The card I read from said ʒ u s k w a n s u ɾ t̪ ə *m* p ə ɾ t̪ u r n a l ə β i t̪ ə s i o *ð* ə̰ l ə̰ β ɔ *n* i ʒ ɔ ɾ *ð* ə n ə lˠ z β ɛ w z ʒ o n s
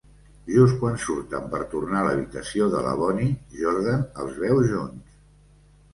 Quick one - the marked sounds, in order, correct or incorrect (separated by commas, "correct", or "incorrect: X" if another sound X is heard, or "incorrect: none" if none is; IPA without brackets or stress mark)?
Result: correct, correct, correct, correct